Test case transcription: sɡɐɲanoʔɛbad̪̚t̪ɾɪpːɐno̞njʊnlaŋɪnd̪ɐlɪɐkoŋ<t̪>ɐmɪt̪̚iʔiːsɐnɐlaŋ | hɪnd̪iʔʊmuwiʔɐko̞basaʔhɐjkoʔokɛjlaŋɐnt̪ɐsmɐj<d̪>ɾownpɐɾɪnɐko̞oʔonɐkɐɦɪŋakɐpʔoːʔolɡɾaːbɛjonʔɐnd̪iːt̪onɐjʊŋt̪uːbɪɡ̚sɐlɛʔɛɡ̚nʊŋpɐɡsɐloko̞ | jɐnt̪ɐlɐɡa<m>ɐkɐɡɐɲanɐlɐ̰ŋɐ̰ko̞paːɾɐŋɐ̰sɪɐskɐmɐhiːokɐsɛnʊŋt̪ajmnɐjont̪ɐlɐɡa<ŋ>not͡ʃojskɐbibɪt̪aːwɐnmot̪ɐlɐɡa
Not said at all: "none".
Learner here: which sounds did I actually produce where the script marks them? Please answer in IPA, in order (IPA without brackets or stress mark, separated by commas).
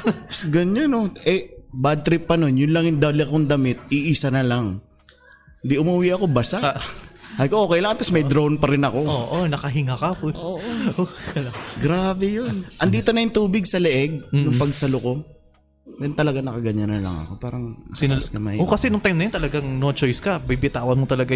d̪, d̪, n, ŋ